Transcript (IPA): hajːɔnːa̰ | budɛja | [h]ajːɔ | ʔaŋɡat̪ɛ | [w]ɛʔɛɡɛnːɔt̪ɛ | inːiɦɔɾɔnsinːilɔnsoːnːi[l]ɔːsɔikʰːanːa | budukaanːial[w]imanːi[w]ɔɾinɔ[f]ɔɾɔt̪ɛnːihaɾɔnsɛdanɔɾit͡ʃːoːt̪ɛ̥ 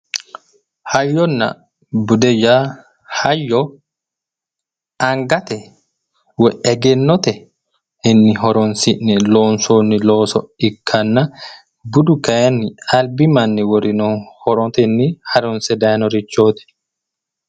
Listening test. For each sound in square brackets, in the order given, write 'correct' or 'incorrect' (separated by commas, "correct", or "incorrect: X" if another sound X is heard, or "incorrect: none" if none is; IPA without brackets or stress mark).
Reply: correct, correct, correct, incorrect: b, correct, incorrect: h